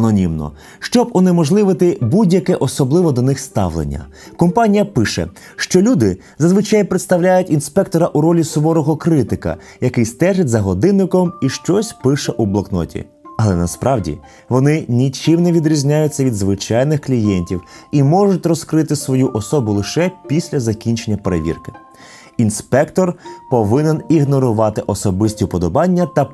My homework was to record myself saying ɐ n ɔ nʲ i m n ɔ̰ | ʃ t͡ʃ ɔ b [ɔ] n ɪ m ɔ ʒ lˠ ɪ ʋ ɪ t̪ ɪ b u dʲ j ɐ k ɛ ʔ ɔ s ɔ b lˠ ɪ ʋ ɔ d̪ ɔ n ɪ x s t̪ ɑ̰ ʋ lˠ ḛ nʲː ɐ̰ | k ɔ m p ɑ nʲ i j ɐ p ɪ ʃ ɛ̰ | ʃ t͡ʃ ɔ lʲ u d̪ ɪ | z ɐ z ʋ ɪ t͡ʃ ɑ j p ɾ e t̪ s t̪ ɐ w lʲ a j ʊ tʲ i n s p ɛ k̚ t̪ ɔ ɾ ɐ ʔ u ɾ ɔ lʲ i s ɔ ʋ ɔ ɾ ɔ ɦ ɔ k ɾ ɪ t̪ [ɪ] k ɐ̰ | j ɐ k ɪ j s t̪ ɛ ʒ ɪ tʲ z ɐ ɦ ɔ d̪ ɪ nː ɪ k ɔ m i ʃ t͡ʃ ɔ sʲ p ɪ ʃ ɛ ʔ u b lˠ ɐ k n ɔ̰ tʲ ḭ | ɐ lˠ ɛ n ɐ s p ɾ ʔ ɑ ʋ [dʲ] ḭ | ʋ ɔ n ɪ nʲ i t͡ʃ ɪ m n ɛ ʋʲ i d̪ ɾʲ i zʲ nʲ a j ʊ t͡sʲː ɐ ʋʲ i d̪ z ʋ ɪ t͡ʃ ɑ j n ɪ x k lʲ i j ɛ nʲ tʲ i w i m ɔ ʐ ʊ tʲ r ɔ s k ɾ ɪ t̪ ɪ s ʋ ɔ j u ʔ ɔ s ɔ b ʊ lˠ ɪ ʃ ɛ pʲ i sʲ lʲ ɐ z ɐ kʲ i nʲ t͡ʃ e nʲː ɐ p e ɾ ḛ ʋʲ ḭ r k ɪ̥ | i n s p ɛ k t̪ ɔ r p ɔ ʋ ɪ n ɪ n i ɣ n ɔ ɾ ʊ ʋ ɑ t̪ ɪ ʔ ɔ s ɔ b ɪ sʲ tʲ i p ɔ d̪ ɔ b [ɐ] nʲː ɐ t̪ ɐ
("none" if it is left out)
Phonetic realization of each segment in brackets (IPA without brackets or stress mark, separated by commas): ɔ, ɪ, dʲ, ɑ